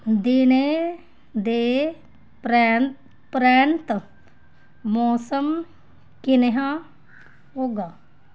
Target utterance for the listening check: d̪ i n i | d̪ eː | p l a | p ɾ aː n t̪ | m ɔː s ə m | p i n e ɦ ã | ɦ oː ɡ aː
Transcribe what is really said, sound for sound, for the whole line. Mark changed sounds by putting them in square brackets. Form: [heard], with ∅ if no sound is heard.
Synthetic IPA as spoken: d̪ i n [e] | d̪ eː | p [ɾ] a | p ɾ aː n t̪ | m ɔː s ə m | [k] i n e ɦ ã | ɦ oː ɡ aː

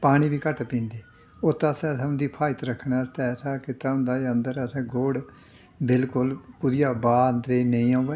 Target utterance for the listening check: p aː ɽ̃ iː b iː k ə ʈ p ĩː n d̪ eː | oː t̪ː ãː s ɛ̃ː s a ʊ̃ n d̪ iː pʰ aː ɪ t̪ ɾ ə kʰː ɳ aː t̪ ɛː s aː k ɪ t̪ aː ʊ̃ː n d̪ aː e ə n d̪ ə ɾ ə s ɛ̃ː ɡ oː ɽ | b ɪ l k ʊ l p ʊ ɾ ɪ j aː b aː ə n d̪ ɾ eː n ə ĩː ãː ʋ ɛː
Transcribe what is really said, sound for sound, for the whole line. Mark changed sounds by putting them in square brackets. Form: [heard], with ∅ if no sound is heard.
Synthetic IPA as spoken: p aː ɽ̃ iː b iː k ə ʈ p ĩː n d̪ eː | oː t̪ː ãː s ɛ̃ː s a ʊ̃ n d̪ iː pʰ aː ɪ t̪ ɾ ə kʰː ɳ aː t̪ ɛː s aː k ɪ t̪ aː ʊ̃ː n d̪ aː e ə n d̪ ə ɾ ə s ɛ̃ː ɡ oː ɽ | b ɪ l k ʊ l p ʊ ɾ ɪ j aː b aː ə n d̪ ɾ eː n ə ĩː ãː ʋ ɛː

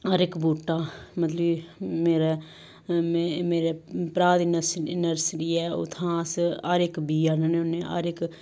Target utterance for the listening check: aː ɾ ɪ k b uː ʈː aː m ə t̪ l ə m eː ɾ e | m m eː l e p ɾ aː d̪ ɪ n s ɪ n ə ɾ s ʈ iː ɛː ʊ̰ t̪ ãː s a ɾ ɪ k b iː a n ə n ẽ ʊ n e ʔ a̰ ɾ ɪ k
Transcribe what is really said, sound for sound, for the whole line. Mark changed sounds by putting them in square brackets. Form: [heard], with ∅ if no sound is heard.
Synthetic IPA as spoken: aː ɾ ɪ k b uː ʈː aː m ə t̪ l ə m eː ɾ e | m m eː [ɾ] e p ɾ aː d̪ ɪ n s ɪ n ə ɾ s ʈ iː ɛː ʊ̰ [t̪ʰ] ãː s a ɾ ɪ k b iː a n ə n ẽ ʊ n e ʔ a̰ ɾ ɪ k

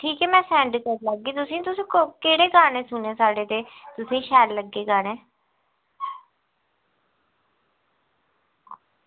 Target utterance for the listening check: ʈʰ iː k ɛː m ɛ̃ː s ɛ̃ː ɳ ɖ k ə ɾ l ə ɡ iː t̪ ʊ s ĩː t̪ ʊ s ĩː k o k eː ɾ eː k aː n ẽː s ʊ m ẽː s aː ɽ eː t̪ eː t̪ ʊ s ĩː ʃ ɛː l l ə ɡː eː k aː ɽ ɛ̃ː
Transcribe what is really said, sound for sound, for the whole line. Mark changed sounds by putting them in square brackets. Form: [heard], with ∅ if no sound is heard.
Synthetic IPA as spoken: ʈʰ iː k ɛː m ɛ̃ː s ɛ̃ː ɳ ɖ k ə ɾ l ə ɡ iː t̪ ʊ s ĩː t̪ ʊ s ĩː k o k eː [ɽ] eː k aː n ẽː s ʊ [n] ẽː s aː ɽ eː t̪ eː t̪ ʊ s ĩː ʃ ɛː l l ə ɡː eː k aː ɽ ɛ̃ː

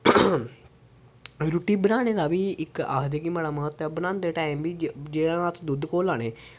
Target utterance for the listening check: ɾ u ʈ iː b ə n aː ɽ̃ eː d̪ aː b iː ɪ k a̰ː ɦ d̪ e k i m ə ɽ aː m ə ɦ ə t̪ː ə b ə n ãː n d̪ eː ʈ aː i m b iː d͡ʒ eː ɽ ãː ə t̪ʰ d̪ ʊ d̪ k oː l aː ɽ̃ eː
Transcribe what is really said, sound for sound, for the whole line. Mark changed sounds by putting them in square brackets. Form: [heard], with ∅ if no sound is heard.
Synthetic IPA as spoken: ɾ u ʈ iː b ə n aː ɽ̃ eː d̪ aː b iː ɪ k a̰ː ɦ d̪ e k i m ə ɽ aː m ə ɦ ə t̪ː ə b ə n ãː n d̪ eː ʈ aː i m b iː d͡ʒ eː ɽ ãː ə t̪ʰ d̪ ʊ d̪ k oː l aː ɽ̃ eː

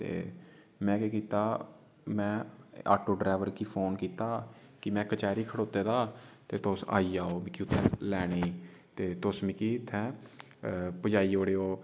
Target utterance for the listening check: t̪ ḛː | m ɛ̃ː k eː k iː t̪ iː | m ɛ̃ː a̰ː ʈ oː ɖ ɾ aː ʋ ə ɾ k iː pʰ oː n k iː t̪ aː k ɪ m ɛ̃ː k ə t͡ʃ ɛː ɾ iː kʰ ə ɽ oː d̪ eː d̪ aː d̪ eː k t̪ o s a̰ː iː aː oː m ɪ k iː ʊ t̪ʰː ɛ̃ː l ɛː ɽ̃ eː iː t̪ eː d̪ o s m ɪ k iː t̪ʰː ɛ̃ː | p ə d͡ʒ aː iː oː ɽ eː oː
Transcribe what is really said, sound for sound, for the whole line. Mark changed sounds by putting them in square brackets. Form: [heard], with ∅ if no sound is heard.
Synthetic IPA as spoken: t̪ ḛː | m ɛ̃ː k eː k iː t̪ [aː] | m ɛ̃ː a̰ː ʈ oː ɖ ɾ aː ʋ ə ɾ k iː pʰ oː n k iː t̪ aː k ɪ m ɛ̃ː k ə t͡ʃ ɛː ɾ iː kʰ ə ɽ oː [t̪] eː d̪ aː [t̪] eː [∅] t̪ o s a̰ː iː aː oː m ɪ k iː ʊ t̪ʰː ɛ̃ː l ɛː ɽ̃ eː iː t̪ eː [t̪] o s m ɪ k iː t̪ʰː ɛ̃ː | p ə d͡ʒ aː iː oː ɽ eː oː

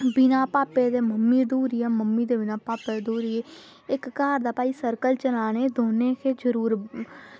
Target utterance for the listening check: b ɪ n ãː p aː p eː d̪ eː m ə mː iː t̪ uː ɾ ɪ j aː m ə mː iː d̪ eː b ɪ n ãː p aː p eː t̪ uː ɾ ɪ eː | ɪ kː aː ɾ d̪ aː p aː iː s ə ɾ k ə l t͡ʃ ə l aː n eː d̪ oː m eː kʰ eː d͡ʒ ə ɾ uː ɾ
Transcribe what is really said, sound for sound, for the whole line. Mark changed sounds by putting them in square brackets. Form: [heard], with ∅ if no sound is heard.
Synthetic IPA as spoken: b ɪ n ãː p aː p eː d̪ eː m ə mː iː [d̪] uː ɾ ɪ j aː m ə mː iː d̪ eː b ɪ n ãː p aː p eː [d̪] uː ɾ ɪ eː | ɪ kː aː ɾ d̪ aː p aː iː s ə ɾ k ə l t͡ʃ ə l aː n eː d̪ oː [n] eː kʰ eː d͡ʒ ə ɾ uː ɾ

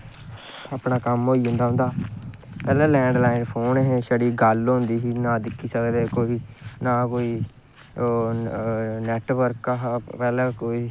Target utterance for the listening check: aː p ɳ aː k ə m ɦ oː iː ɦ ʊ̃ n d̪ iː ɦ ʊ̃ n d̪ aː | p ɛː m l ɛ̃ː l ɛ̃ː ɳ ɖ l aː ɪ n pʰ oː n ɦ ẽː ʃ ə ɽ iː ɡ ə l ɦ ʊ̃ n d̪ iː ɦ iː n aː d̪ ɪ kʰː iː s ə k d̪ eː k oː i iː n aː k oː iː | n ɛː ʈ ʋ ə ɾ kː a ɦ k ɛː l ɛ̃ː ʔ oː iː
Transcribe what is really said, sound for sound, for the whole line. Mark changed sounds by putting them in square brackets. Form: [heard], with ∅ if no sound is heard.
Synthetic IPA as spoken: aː p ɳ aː k ə m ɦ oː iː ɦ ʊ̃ n d̪ [aː] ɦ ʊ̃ n d̪ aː | p ɛː [∅] l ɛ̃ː l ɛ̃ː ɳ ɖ l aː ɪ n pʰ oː n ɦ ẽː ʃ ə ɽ iː ɡ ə l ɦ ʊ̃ n d̪ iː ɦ iː n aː d̪ ɪ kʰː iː s ə k d̪ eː k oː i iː n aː k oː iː | n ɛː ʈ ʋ ə ɾ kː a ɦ [p] ɛː l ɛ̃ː [k] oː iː

